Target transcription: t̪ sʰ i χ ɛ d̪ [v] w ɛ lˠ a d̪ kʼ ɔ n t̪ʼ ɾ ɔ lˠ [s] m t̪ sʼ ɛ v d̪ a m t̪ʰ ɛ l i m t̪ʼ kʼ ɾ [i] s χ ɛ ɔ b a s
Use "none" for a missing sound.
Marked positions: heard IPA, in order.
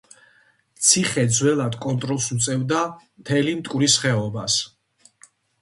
z, s, i

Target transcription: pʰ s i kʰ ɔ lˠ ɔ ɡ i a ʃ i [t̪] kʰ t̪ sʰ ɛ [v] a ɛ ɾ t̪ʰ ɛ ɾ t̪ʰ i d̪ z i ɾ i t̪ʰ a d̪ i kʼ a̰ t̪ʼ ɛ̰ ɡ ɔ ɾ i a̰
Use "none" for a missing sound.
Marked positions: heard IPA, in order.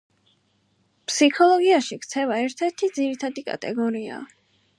none, v

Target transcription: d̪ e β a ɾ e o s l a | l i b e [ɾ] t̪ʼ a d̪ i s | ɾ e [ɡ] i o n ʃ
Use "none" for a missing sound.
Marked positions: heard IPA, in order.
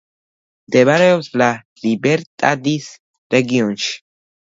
ɾ, ɡ

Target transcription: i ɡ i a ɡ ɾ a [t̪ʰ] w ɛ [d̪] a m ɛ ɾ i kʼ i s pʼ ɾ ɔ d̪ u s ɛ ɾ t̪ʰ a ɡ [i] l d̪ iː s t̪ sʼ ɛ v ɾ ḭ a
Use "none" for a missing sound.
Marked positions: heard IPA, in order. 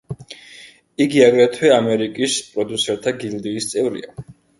t̪ʰ, none, i

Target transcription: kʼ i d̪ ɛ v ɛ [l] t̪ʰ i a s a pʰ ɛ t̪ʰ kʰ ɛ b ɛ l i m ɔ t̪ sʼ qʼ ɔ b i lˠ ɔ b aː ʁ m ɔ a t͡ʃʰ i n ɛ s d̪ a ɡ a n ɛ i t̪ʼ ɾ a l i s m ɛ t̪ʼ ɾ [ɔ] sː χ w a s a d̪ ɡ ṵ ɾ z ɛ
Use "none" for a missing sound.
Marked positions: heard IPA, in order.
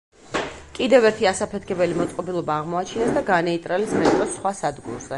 ɾ, ɔ

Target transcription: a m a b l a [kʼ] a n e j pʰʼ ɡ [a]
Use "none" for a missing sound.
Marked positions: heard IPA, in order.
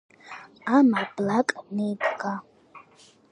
kʼ, a

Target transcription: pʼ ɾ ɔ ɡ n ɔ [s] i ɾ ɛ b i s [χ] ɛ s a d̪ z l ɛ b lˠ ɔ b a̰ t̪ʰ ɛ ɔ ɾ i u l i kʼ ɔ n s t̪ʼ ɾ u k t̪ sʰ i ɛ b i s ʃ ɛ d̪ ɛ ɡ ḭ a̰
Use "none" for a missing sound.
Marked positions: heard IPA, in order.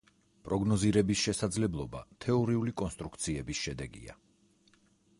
z, ʃ

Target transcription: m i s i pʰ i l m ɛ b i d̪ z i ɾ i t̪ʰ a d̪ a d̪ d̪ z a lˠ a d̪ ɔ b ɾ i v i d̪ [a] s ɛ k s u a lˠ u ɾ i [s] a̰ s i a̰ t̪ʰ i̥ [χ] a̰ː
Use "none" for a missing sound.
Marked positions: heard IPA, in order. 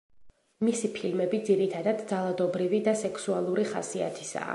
a, χ, s

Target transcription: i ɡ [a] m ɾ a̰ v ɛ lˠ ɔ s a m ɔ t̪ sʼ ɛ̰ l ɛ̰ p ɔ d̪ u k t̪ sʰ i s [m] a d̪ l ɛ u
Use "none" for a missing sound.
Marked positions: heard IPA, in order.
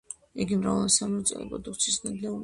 i, n

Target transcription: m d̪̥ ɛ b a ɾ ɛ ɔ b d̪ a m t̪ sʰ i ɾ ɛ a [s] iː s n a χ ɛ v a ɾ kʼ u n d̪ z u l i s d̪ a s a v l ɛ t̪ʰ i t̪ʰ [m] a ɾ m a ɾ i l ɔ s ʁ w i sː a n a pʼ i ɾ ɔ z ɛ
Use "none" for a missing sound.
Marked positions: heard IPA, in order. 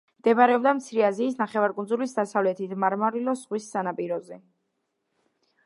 z, m

